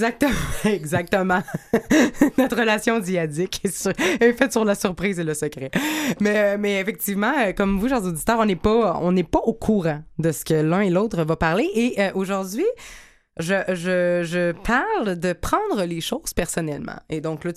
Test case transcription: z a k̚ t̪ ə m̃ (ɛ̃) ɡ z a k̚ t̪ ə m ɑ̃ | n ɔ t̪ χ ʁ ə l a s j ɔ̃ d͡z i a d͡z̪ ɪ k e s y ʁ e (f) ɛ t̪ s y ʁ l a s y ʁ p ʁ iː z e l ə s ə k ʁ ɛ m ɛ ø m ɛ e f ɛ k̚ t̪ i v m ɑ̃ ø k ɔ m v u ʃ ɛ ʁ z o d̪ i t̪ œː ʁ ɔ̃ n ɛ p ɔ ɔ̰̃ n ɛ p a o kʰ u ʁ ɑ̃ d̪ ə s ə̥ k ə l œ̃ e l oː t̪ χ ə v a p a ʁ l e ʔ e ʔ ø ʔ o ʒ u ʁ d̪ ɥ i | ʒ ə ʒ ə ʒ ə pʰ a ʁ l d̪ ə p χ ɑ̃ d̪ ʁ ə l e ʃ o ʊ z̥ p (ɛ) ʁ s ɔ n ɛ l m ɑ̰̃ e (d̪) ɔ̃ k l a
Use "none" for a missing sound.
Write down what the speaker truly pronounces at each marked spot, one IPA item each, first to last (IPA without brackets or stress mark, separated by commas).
ɛ, f, ɛ, d̪